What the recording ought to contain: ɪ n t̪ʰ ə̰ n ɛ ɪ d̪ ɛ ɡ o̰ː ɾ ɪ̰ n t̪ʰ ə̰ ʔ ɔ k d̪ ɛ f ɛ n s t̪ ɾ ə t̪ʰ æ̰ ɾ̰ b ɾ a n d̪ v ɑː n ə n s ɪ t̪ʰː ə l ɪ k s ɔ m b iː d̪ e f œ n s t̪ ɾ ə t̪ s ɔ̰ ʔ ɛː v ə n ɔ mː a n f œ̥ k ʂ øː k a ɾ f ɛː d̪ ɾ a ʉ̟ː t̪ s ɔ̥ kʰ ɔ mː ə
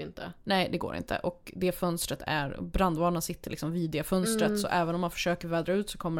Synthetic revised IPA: ɪ n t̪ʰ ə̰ n ɛ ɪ d̪ ɛ ɡ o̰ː ɾ ɪ̰ n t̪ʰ ə̰ ʔ ɔ k d̪ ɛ f œ n s t̪ ɾ ə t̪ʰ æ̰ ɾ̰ b ɾ a n d̪ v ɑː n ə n s ɪ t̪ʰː ə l ɪ k s ɔ m v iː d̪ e f œ n s t̪ ɾ ə t̪ s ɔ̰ ʔ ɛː v ə n ɔ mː a n f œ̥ ʂ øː k ə ɾ v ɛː d̪ ɾ a ʉ̟ː t̪ s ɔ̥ kʰ ɔ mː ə